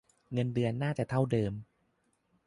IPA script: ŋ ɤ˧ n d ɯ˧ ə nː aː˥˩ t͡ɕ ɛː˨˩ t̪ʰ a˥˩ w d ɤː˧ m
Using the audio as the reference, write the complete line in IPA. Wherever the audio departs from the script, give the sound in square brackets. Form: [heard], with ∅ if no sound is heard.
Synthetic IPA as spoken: ŋ ɤ˧ n d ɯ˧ ə nː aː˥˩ t͡ɕ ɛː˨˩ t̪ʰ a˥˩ w d ɤː˧ m